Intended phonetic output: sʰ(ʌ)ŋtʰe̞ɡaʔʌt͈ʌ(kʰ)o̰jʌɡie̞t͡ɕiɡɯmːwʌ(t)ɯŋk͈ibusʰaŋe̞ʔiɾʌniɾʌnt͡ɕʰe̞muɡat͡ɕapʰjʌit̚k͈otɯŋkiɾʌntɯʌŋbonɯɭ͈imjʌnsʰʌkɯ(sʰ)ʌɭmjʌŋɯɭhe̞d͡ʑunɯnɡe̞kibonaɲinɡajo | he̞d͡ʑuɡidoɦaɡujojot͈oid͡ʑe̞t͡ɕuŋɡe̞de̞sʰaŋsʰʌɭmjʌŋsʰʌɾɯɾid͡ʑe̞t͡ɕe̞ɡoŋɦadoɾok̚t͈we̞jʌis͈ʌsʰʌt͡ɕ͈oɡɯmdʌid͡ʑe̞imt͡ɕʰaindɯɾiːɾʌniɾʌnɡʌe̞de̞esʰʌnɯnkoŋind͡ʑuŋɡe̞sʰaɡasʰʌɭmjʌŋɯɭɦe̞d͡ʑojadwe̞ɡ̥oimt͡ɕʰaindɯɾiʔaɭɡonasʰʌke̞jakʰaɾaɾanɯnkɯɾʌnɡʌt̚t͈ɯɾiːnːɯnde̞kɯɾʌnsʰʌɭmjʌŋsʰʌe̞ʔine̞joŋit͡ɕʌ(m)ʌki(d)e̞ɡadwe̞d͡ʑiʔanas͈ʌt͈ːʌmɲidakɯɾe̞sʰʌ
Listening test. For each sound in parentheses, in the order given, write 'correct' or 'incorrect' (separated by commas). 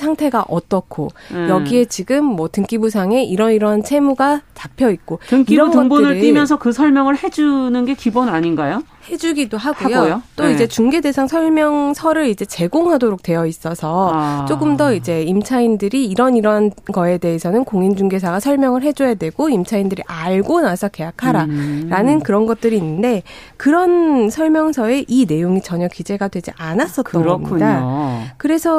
incorrect, correct, correct, correct, incorrect, incorrect